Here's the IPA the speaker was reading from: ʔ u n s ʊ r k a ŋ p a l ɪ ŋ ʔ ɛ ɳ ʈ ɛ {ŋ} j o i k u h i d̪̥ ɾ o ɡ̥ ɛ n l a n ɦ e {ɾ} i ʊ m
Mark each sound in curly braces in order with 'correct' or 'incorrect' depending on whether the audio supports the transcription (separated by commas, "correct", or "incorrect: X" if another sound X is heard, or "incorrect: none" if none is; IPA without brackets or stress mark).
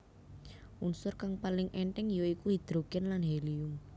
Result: correct, incorrect: l